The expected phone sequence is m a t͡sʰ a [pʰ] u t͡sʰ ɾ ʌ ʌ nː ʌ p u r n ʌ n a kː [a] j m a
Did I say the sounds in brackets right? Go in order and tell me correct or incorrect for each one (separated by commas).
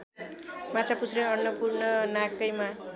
incorrect, incorrect